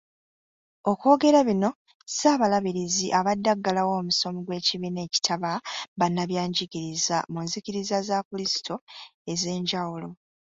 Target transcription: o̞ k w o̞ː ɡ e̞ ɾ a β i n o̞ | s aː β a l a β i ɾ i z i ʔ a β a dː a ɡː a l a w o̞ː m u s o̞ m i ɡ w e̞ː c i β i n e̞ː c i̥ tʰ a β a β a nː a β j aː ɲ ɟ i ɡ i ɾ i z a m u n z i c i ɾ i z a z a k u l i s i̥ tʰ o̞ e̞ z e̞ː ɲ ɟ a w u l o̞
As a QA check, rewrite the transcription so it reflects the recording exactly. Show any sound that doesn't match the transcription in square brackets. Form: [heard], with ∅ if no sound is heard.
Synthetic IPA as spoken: o̞ k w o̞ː ɡ e̞ ɾ a β i n o̞ | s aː β a l a β i ɾ i z i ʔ a β a dː a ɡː a l a w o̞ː m u s o̞ m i ɡ w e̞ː c i β i n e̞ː c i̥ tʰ a β a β a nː a β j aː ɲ ɟ i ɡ i ɾ i z a m u n z i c i ɾ i z a z a k u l i s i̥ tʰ o̞ e̞ z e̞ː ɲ ɟ a w u l o̞